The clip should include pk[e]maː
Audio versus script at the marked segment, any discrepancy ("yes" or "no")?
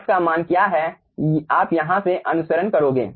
yes